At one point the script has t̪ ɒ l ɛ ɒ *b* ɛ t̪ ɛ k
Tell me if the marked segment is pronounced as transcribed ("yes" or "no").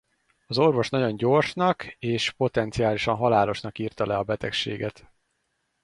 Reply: yes